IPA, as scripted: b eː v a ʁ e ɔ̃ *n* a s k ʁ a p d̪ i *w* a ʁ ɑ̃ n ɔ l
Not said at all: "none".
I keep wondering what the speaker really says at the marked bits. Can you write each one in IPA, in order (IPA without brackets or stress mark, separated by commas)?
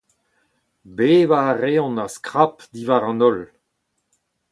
n, v